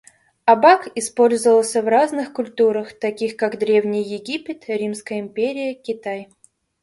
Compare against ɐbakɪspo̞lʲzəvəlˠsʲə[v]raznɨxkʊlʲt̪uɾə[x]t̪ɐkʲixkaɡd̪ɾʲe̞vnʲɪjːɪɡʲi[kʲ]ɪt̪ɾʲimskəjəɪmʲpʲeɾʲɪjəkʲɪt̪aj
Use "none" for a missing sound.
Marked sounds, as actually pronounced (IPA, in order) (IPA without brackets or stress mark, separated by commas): v, x, pʲ